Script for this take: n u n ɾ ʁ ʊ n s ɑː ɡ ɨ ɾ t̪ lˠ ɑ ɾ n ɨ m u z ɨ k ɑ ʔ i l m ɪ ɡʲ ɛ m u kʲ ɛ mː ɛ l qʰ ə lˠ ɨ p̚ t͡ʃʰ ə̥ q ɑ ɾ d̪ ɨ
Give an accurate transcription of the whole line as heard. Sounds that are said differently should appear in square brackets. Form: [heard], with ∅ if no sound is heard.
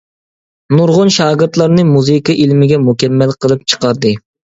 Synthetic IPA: n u [∅] ɾ ʁ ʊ n [ʃ] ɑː ɡ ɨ ɾ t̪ lˠ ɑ ɾ n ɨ m u z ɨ k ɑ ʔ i l m ɪ ɡʲ ɛ m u kʲ ɛ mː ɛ l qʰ ə lˠ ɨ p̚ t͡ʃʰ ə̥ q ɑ ɾ d̪ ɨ